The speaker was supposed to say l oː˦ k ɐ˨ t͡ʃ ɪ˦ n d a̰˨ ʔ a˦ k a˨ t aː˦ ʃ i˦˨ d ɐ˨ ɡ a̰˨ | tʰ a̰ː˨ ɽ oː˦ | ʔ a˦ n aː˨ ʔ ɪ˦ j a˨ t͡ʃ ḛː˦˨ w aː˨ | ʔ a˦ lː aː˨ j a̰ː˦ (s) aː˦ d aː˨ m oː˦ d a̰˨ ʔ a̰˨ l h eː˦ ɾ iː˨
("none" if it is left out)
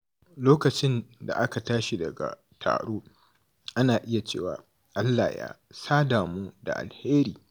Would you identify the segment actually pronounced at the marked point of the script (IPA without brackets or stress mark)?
s